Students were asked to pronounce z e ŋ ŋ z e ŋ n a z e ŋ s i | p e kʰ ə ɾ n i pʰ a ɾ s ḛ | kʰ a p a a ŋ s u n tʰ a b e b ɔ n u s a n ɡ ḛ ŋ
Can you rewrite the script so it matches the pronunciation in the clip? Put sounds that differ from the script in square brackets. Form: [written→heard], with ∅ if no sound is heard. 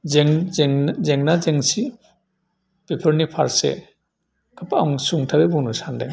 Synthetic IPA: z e ŋ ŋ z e ŋ n a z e ŋ s i | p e [kʰ→pʰ] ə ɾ n i pʰ a ɾ s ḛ | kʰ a p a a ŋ s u [n→ŋ] tʰ a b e b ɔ n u s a n [ɡ→d] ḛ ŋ